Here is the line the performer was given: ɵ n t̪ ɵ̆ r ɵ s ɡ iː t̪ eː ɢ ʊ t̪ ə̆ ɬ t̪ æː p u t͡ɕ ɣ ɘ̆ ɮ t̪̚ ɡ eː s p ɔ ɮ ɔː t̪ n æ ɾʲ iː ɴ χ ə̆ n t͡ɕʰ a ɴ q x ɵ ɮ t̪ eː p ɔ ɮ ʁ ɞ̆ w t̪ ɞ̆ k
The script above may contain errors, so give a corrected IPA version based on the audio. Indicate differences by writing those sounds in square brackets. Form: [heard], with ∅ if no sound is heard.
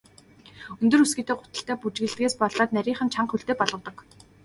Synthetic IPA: ɵ n t̪ ɵ̆ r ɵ s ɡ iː t̪ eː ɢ ʊ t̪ ə̆ ɬ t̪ æː p u t͡ɕ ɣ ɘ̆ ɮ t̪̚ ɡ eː s p ɔ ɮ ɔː t̪ n æ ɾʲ iː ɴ χ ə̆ n t͡ɕʰ a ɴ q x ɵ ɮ t̪ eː p ɔ ɮ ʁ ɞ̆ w t̪ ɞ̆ k